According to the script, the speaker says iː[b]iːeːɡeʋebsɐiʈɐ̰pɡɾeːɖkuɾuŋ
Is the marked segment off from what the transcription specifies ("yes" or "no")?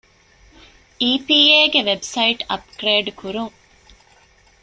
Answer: yes